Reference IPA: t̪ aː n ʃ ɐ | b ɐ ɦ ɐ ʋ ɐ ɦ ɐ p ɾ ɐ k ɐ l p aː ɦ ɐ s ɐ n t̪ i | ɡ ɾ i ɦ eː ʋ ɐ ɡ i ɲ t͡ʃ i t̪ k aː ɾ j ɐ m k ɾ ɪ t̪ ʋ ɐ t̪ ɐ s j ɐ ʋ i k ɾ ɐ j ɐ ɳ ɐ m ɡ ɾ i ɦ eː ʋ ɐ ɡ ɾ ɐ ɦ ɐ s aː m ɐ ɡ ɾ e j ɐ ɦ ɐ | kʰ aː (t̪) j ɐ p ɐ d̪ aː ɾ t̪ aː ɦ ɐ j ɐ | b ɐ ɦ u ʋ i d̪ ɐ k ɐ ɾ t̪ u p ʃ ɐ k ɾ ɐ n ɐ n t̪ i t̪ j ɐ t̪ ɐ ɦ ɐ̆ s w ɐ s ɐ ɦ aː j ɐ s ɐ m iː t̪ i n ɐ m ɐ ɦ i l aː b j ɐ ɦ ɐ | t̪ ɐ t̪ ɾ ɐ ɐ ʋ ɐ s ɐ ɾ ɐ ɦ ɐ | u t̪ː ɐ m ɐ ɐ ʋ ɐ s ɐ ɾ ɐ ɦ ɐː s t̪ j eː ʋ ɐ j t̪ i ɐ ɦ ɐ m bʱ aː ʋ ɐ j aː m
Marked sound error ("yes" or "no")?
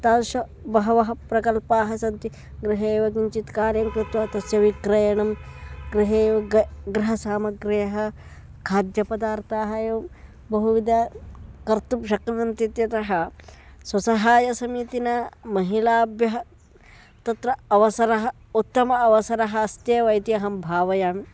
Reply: yes